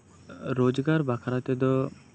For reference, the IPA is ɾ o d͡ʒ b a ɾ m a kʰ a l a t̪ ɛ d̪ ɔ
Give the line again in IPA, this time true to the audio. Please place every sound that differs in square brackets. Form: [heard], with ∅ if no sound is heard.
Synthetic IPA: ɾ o d͡ʒ [ɡ] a ɾ [b] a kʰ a [ɾ] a t̪ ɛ d̪ ɔ